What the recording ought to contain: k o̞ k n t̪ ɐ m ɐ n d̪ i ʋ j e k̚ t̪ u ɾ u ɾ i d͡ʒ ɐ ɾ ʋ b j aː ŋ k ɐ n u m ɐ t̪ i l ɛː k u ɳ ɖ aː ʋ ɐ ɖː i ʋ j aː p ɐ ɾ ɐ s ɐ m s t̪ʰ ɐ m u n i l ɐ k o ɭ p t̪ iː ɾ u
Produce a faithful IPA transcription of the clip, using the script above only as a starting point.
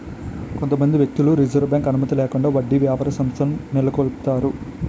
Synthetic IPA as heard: k o̞ n t̪ ɐ m ɐ n d̪ i ʋ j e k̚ t̪ u l u ɾ i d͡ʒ ɐ ɾ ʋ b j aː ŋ k ɐ n u m ɐ t̪ i l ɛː k u ɳ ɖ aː ʋ ɐ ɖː i ʋ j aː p ɐ ɾ ɐ s ɐ m s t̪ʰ ɐ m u n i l ɐ k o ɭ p t̪ aː ɾ u